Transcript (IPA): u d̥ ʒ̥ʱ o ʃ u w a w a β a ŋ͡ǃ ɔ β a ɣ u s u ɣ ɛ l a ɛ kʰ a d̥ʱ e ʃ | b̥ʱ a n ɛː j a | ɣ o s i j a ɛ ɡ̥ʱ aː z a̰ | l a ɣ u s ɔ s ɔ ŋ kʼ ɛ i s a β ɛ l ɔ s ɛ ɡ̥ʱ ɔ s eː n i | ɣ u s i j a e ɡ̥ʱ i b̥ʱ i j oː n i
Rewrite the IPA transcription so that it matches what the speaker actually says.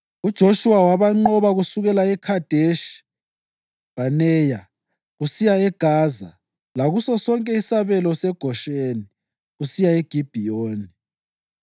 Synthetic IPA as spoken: u d̥ ʒ̥ʱ o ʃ u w a w a β a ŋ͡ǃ ɔ β a ɣ u s u ɣ ɛ l a ɛ kʰ a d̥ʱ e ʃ | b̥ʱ a n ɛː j a | ɣ u s i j a ɛ ɡ̥ʱ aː z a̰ | l a ɣ u s ɔ s ɔ ŋ kʼ ɛ i s a β ɛ l ɔ s ɛ ɡ̥ʱ ɔ ʃ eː n i | ɣ u s i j a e ɡ̥ʱ i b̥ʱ i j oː n i